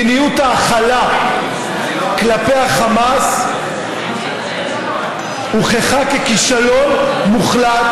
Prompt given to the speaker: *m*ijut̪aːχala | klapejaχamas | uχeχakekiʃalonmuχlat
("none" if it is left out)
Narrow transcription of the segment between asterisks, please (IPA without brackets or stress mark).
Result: n